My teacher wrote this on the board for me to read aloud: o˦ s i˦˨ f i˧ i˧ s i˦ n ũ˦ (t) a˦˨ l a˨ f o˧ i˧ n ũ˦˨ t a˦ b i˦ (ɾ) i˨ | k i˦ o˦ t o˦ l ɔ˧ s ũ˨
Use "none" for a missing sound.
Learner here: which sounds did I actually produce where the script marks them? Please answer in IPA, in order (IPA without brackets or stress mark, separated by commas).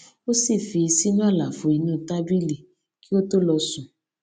none, l